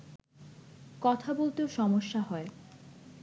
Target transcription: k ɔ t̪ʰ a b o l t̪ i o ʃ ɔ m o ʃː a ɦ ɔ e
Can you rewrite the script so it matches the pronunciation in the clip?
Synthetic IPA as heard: k ɔ t̪ʰ a b o l t̪ e o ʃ ɔ m o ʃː a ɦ ɔ e